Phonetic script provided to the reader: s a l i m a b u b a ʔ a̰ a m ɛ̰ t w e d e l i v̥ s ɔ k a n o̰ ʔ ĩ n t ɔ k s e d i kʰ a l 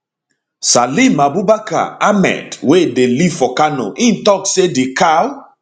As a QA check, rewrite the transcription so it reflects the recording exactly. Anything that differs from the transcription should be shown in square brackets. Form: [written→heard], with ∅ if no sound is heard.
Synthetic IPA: s a l i m a b u b a [ʔ→k] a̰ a m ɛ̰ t w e d e l i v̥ [s→f] ɔ k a n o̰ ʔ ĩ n t ɔ k s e d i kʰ a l

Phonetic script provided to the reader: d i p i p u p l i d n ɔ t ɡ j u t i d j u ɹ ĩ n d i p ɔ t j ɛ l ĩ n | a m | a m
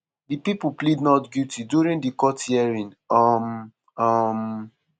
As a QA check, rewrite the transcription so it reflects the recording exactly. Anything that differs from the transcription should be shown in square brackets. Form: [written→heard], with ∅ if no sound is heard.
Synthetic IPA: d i p i p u p l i d n ɔ t ɡ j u t i d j u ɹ ĩ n d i [p→k] ɔ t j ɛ [l→ɹ] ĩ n | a m | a m

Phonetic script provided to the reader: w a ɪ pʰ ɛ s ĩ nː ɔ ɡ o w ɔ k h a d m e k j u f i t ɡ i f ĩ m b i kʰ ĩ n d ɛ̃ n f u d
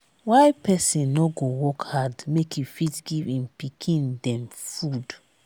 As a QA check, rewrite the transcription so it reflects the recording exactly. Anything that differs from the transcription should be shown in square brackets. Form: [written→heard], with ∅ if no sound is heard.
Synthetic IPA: w a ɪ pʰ ɛ s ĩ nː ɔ ɡ o w ɔ k h a d m e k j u f i t ɡ i [f→v] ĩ m [b→p] i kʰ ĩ n d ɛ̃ [n→m] f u d

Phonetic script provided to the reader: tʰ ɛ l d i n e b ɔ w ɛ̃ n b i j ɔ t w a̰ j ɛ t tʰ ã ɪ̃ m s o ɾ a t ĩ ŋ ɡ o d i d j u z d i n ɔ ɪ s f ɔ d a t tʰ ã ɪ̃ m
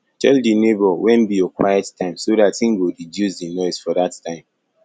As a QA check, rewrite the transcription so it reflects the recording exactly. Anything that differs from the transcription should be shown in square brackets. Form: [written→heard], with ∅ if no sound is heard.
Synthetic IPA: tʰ ɛ l d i n e b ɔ w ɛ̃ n b i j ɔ [t→k] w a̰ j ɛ t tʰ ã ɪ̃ m s o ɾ a t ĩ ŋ ɡ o d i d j u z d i n ɔ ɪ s f ɔ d a t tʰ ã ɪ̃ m

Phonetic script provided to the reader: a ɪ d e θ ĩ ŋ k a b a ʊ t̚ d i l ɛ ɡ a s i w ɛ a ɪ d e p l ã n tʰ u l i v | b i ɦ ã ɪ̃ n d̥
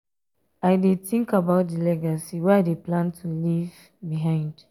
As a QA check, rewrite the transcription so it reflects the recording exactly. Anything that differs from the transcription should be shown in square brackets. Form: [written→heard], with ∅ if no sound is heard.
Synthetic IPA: a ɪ d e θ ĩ ŋ k a b a ʊ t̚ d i l ɛ ɡ a s i w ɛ a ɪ d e p l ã n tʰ u l i v | b i ɦ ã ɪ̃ n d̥

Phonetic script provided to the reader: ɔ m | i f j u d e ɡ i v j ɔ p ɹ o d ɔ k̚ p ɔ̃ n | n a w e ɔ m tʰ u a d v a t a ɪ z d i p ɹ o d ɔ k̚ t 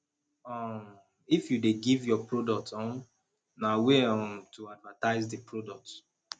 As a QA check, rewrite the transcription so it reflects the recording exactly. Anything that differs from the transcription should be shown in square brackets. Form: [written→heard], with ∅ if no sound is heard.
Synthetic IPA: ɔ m | i f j u d e ɡ i v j ɔ p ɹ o d ɔ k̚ [p→t] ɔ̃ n | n a w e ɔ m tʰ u a d v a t a ɪ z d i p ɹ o d ɔ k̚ t

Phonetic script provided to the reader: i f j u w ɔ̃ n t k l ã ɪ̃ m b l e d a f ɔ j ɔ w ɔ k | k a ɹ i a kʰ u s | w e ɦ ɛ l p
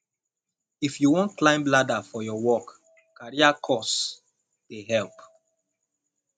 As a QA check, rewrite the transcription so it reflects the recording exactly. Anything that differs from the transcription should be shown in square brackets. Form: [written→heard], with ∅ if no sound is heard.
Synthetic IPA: i f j u w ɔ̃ n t k l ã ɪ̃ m b l [e→a] d a f ɔ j ɔ w ɔ k | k a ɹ i a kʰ [u→ɔ] s | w e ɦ ɛ l p

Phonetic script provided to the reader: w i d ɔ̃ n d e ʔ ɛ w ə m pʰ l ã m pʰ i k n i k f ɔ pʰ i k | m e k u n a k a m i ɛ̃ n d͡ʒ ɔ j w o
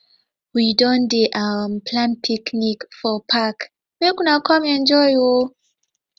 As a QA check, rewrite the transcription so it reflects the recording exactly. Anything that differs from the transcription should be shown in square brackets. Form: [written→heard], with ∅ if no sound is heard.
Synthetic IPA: w i d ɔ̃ n d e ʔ [ɛ→a] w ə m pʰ l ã [m→n] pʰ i k n i k f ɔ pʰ [i→a] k | m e k u n a k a m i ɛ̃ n d͡ʒ ɔ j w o

